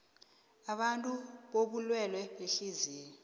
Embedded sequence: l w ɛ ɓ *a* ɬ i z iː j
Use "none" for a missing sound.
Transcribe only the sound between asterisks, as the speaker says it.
e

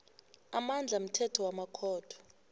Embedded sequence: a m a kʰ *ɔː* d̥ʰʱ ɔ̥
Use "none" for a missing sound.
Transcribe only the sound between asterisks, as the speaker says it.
ɔː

